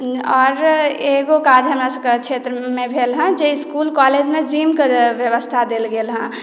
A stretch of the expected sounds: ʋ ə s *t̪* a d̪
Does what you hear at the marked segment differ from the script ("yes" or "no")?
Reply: yes